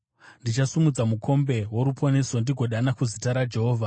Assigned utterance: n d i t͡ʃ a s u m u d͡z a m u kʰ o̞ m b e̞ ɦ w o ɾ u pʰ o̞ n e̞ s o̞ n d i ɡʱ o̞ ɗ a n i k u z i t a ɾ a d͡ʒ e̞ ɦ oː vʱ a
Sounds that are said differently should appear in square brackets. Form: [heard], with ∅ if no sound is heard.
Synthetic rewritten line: n d i t͡ʃ a s u m u d͡z a m u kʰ o̞ m b e̞ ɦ w o ɾ u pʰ o̞ n e̞ s o̞ n d i ɡʱ o̞ ɗ a n [a] k u z i t a ɾ a d͡ʒ e̞ ɦ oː vʱ a